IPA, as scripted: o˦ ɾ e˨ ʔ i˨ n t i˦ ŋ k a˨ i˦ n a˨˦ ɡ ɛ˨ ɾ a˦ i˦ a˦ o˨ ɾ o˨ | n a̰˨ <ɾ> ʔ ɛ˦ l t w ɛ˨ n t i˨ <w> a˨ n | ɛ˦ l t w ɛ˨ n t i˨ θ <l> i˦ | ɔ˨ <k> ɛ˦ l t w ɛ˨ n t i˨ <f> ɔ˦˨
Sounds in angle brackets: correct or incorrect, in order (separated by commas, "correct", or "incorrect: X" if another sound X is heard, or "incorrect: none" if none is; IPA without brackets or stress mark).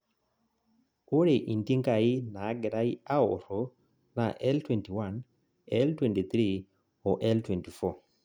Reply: incorrect: none, correct, incorrect: ɾ, incorrect: ʔ, correct